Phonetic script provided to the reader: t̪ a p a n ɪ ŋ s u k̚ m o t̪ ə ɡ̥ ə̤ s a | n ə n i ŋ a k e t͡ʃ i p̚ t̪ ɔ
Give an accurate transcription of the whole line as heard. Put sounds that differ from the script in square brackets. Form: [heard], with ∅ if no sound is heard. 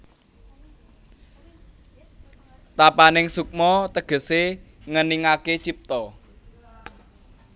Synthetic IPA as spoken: t̪ a p a n ɪ ŋ s u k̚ m [ɔ] t̪ ə ɡ̥ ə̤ s [e] | [ŋ] ə n i ŋ a k e t͡ʃ i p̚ t̪ ɔ